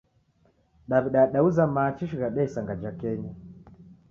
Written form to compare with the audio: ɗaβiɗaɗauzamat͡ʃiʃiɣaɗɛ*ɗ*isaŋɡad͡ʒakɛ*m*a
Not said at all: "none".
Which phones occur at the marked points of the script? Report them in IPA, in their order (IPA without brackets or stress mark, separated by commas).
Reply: none, ɲ